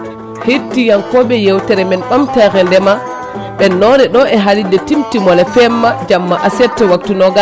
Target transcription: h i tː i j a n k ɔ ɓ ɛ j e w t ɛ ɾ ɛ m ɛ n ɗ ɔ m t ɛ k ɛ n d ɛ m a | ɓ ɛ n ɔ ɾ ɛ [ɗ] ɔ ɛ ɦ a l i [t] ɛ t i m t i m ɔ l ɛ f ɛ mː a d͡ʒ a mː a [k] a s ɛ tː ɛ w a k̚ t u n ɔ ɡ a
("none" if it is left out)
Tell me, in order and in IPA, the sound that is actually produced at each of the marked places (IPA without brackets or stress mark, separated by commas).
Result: ɗ, d, ʔ